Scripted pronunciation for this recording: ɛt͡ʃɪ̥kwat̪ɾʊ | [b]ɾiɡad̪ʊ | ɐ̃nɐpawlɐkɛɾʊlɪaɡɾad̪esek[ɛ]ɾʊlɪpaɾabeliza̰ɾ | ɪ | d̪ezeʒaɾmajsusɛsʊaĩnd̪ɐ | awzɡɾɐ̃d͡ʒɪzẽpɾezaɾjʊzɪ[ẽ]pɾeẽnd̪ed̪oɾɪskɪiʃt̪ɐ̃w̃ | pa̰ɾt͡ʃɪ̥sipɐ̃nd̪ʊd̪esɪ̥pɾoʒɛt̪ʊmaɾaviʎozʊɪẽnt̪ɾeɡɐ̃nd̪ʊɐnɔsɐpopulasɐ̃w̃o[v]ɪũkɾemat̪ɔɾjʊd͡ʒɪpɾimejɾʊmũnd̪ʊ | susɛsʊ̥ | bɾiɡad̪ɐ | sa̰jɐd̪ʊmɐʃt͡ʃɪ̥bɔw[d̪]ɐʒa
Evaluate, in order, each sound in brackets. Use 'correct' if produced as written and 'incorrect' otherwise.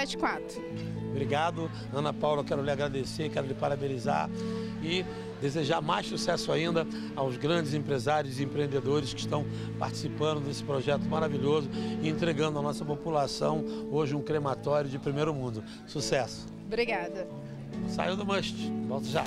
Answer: correct, correct, correct, incorrect: ʒ, incorrect: t̪

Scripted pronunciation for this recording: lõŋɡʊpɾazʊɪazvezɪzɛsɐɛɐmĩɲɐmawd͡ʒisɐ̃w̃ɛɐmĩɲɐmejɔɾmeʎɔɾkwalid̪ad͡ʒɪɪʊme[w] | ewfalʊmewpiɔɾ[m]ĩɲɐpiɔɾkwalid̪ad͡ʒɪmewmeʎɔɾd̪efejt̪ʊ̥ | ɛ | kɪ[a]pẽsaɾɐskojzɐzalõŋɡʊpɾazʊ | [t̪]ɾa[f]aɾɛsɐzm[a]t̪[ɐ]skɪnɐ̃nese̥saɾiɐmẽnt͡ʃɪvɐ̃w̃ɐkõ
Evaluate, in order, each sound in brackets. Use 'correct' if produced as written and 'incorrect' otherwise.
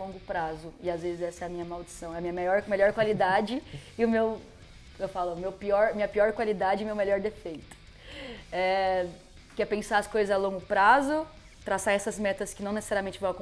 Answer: correct, correct, incorrect: ɛ, correct, incorrect: s, incorrect: ɛ, correct

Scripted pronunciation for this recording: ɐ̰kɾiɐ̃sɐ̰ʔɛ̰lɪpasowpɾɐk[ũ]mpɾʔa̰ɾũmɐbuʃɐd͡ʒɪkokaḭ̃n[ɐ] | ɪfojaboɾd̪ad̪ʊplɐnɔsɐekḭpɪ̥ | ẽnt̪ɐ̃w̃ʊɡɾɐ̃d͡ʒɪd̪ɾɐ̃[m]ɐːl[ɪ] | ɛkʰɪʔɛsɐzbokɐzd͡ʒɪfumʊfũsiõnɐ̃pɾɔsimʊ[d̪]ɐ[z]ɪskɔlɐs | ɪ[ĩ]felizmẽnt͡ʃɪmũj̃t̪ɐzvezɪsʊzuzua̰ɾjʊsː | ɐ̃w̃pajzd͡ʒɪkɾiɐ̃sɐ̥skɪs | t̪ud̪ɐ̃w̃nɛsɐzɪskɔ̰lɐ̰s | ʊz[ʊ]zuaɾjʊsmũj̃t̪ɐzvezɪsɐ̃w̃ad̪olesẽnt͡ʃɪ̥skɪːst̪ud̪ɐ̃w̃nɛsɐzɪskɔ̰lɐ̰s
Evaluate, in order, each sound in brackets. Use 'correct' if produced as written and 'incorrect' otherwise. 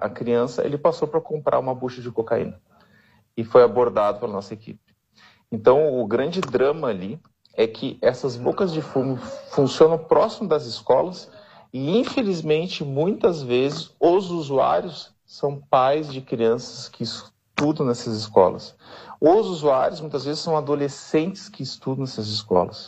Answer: incorrect: õ, correct, correct, incorrect: i, correct, correct, correct, incorrect: u

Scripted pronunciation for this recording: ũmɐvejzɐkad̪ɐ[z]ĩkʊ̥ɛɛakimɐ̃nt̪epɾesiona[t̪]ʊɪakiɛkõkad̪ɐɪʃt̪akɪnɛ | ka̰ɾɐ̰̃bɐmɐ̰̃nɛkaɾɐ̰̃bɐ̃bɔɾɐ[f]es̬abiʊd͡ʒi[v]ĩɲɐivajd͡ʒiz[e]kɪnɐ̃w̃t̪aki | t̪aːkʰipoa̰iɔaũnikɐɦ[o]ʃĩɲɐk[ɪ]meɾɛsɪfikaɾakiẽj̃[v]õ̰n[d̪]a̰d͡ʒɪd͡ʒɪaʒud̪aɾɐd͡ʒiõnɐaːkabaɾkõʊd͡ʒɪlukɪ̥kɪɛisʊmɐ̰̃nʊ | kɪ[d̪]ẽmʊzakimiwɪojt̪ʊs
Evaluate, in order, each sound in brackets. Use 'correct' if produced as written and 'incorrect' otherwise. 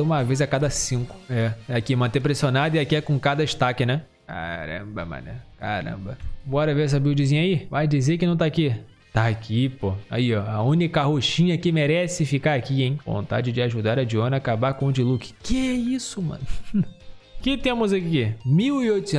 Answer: incorrect: s, incorrect: d̪, incorrect: v, incorrect: z, correct, correct, correct, correct, incorrect: t̪, incorrect: t̪

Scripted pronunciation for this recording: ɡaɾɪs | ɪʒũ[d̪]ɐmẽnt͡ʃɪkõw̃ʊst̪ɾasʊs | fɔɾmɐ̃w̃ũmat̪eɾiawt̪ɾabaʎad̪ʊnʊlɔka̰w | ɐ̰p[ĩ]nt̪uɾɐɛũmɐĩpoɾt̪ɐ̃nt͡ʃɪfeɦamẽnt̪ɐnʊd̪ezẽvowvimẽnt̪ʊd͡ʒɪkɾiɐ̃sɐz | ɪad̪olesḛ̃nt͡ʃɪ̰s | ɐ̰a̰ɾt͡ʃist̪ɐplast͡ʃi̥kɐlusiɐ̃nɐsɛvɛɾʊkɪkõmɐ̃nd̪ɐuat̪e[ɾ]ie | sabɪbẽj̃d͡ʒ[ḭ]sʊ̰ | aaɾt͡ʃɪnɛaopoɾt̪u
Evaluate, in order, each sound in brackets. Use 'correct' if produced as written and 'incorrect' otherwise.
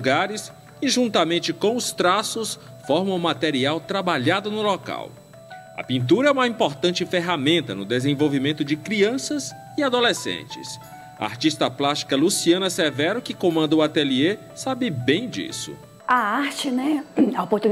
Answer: incorrect: t̪, correct, incorrect: l, correct

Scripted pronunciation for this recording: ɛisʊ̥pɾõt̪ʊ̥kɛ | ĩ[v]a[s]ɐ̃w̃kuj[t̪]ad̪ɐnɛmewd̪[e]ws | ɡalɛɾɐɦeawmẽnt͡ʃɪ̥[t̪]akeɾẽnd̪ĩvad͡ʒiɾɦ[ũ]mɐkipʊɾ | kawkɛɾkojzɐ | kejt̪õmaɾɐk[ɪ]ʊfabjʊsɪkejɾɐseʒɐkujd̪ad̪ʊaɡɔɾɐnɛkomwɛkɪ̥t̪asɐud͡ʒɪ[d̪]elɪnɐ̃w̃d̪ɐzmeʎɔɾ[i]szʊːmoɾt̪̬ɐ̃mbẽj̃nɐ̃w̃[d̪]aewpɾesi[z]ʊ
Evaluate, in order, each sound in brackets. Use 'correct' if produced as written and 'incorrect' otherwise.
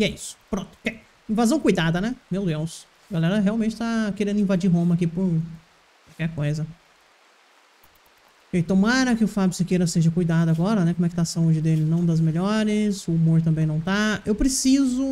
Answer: correct, incorrect: z, incorrect: d̪, correct, correct, incorrect: õ, correct, correct, incorrect: ɪ, incorrect: t̪, correct

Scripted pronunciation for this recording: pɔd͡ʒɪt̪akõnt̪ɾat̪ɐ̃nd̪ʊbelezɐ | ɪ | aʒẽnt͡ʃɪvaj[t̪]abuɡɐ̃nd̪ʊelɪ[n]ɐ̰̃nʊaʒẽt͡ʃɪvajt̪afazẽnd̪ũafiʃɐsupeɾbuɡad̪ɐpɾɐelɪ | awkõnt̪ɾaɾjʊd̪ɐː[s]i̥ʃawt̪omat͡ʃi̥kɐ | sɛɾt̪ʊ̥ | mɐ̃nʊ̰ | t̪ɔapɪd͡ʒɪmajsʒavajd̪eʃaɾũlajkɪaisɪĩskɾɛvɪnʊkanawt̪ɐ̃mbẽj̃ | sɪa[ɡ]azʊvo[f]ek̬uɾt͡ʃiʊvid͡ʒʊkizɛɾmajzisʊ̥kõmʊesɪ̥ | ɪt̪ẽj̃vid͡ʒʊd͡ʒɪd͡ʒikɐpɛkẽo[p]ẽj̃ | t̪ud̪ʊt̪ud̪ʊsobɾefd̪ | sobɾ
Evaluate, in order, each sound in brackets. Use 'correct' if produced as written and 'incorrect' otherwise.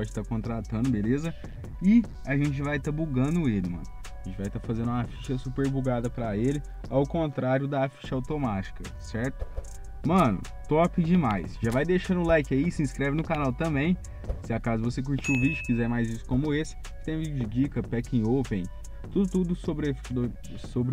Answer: correct, incorrect: m, incorrect: f, incorrect: k, incorrect: s, correct

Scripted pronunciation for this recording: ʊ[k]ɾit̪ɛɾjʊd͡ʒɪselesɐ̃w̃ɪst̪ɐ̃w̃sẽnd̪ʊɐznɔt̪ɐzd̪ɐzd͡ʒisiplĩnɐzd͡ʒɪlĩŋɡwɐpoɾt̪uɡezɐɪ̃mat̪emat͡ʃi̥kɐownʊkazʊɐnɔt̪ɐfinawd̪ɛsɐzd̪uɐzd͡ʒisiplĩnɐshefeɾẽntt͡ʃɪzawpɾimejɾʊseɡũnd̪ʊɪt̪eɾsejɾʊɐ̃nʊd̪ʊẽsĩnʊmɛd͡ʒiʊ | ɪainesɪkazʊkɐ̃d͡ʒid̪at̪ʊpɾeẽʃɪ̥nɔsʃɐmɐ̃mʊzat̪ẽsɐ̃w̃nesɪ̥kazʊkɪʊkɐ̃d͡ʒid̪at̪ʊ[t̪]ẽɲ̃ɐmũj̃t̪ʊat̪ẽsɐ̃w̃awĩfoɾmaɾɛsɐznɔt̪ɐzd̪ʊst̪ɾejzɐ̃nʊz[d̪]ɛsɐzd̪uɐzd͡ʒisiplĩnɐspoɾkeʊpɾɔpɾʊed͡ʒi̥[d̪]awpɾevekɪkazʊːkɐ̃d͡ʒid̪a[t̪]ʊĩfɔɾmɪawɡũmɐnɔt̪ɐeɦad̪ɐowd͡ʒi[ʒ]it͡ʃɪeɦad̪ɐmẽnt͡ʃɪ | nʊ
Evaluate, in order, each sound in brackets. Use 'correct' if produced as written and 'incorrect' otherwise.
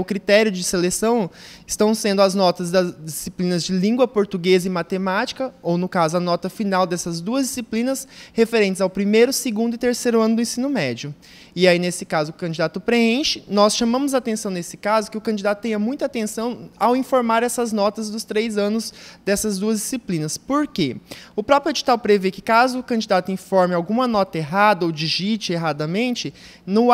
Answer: correct, correct, correct, incorrect: t̪, correct, correct

